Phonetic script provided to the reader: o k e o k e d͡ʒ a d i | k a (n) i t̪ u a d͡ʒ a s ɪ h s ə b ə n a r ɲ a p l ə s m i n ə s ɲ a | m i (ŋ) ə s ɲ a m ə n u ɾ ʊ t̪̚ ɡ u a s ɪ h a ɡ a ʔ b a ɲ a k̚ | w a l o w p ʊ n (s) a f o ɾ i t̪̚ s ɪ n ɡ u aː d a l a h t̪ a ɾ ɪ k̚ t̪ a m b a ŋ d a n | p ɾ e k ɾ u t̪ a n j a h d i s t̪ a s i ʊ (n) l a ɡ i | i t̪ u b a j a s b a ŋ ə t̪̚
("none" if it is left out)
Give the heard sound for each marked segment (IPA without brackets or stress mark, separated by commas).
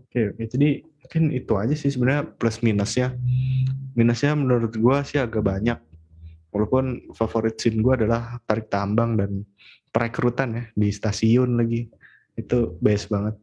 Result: n, n, f, n